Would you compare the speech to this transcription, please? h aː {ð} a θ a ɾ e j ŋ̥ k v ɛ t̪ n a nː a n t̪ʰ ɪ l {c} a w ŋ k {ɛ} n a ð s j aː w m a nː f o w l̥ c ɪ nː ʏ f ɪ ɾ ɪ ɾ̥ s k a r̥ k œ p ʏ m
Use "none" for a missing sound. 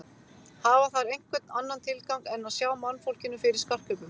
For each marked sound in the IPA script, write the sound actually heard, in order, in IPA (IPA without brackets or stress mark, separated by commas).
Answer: v, k, ɛ